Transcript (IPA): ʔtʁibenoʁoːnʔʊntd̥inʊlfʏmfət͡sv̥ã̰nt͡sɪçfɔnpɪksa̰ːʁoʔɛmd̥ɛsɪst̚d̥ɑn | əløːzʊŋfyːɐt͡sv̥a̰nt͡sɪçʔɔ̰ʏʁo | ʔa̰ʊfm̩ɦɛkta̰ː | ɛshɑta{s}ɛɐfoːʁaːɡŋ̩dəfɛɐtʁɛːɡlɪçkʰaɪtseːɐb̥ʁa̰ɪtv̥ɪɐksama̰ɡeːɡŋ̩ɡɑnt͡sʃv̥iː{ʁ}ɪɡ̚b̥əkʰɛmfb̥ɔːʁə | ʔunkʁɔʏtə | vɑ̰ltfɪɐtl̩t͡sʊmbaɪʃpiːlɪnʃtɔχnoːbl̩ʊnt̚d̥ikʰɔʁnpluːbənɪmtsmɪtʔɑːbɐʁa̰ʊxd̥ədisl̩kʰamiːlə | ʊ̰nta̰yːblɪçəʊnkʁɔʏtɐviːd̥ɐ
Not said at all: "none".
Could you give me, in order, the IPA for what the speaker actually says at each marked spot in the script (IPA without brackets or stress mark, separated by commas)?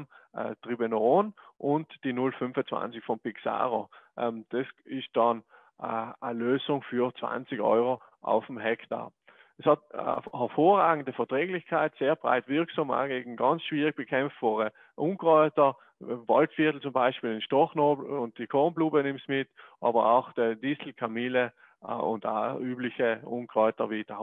h, ʁ